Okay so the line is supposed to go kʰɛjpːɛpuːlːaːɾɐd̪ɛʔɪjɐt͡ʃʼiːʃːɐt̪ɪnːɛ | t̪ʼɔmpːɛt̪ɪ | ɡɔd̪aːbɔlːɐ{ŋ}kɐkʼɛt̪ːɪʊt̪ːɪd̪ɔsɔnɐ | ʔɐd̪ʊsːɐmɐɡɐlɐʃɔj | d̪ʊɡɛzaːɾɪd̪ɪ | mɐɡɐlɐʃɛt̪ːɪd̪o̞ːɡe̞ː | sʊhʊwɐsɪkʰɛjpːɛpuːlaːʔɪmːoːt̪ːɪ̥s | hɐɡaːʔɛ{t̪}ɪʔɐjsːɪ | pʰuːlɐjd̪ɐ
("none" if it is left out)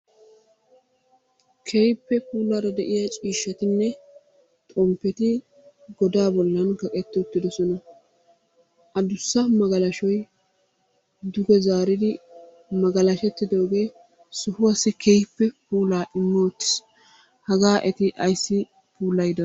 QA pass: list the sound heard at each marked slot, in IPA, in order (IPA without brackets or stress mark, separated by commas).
n, t̪